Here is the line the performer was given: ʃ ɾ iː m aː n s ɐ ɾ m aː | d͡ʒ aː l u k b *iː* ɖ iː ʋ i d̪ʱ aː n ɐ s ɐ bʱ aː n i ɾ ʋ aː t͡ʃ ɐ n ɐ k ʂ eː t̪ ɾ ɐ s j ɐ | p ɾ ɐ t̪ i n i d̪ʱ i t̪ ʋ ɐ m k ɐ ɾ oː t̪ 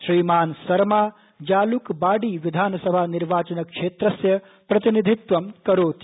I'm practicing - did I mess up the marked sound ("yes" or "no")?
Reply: yes